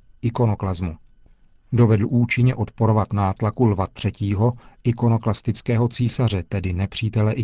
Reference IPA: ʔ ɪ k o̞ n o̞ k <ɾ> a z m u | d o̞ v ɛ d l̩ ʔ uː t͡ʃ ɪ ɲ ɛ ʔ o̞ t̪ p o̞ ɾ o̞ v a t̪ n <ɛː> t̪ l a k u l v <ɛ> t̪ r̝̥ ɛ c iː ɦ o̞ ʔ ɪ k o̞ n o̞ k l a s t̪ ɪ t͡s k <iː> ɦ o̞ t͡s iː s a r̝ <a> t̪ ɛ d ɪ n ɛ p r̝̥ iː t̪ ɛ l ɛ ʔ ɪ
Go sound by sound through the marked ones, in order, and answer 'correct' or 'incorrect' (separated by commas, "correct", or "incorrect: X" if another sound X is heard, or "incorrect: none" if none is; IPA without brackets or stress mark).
incorrect: l, incorrect: aː, incorrect: a, incorrect: ɛː, incorrect: ɛ